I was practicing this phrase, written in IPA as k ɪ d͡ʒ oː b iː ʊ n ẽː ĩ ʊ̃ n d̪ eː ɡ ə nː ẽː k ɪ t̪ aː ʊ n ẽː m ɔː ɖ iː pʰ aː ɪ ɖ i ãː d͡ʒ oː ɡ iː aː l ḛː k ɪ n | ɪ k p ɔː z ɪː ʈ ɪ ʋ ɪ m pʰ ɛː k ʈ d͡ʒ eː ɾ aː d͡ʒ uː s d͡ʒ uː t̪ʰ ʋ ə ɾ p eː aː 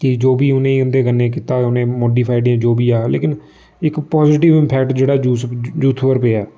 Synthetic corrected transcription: k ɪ d͡ʒ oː b iː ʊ n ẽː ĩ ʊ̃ n d̪ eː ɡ ə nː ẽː k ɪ t̪ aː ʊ n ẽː m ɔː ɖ iː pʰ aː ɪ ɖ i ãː d͡ʒ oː b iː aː l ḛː k ɪ n | ɪ k p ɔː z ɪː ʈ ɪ ʋ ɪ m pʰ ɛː k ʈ d͡ʒ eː ɽ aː d͡ʒ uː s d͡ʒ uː t̪ʰ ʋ ə ɾ p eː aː